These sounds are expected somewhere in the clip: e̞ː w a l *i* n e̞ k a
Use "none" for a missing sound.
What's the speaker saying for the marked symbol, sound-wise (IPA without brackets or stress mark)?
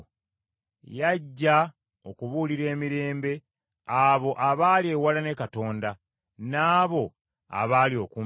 a